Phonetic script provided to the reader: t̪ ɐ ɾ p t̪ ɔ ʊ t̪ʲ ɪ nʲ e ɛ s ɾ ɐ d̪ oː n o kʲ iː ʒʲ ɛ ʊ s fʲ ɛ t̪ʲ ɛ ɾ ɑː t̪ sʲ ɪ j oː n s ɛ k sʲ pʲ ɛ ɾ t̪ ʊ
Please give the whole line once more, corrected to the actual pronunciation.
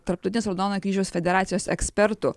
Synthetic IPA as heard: t̪ ɐ ɾ p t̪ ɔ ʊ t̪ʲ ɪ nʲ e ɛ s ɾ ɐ d̪ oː n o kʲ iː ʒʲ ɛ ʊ s fʲ ɛ d̪ʲ ɛ ɾ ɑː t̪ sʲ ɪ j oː s ɛ k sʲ pʲ ɛ ɾ t̪ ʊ